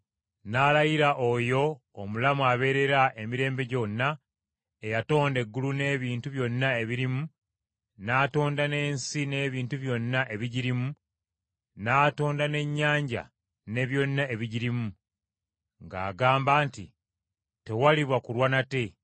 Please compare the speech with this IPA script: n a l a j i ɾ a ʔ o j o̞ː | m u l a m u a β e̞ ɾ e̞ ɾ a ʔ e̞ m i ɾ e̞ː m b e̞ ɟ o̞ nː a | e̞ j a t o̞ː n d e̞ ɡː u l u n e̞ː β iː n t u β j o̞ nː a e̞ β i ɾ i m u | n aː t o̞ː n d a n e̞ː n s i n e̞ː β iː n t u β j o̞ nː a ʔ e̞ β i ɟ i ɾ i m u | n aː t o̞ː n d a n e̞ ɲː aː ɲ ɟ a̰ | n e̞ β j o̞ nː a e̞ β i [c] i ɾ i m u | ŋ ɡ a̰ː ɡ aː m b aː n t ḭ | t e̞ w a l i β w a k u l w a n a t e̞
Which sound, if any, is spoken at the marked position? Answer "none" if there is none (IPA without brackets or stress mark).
ɟ